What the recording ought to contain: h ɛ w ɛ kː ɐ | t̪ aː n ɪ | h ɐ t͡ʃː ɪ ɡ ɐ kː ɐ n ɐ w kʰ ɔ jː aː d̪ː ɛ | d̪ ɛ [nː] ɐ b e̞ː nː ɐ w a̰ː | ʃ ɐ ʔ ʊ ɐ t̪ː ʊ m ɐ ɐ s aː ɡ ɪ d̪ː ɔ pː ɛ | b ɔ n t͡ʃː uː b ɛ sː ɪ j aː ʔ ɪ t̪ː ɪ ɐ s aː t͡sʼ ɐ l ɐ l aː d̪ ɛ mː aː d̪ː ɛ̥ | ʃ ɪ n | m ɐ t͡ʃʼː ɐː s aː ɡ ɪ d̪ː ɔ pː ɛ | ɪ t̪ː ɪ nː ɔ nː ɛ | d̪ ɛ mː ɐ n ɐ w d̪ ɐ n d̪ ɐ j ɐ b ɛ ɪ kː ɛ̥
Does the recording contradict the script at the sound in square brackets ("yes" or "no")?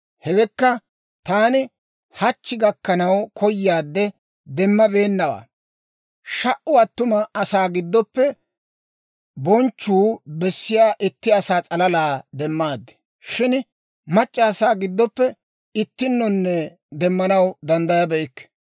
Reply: yes